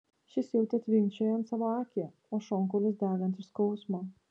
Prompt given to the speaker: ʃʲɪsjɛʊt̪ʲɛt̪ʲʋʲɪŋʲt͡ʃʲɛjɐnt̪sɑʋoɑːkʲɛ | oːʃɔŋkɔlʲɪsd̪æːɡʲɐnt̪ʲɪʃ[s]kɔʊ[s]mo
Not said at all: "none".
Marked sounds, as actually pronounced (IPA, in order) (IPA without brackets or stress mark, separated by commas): s, s